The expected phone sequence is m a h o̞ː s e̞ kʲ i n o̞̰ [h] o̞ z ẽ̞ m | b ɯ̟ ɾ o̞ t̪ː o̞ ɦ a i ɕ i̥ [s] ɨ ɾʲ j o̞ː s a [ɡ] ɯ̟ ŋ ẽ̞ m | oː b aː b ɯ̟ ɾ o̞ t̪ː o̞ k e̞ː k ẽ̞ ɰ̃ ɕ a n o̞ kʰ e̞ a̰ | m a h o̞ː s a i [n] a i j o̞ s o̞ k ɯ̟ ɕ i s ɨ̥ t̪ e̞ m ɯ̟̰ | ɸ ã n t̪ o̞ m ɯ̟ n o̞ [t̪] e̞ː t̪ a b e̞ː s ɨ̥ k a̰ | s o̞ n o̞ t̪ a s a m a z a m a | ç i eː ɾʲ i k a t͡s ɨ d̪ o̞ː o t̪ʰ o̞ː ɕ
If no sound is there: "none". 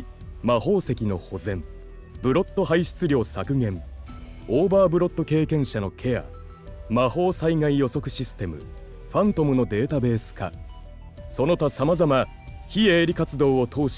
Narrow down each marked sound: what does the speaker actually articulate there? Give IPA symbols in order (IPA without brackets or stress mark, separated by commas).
h, t͡s, k, ŋ, d̪